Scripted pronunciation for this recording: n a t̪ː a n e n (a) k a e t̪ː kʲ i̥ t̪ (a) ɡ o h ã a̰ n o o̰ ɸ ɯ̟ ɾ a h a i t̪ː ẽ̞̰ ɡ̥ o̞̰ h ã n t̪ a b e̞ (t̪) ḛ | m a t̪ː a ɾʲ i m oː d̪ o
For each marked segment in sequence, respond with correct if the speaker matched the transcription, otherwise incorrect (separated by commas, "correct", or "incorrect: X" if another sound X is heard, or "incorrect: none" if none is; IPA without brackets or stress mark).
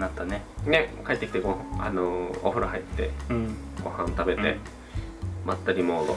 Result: incorrect: e, incorrect: e, correct